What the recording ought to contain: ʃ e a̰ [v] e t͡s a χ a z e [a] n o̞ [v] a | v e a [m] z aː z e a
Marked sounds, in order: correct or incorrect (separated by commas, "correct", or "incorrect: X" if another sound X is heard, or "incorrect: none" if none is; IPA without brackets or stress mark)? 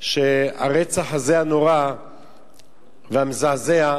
incorrect: ʁ, correct, incorrect: ʁ, correct